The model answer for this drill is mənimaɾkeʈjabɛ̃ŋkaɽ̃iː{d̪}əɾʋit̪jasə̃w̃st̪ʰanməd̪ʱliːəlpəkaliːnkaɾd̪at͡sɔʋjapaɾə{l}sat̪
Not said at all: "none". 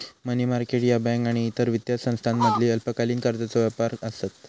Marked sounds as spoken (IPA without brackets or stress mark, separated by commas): t̪, none